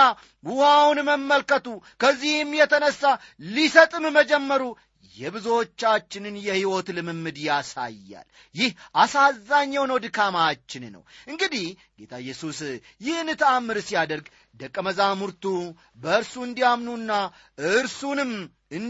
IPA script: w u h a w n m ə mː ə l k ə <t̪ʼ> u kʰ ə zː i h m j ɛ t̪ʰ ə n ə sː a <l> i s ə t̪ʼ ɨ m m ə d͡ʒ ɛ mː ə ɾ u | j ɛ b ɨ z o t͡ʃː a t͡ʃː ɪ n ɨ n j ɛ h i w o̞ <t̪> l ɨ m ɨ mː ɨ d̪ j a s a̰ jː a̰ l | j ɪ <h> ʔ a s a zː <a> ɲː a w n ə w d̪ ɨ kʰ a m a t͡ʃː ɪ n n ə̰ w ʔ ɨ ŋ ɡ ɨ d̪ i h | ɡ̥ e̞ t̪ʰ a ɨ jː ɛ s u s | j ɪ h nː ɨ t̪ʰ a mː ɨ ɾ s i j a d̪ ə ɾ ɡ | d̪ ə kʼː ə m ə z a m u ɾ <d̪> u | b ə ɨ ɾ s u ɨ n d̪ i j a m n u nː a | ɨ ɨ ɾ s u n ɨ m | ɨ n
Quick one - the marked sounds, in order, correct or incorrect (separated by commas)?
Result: incorrect, correct, correct, correct, correct, incorrect